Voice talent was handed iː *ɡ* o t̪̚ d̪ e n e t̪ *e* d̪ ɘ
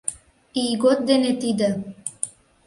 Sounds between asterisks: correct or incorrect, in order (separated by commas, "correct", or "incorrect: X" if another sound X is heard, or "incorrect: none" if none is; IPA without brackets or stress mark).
correct, incorrect: i